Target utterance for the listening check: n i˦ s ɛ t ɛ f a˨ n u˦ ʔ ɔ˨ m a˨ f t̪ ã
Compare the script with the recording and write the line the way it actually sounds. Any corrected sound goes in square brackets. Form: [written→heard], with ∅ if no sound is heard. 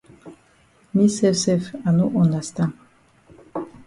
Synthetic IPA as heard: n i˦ s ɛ [t→s] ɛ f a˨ n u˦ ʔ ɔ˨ [m→n] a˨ [f→s] t̪ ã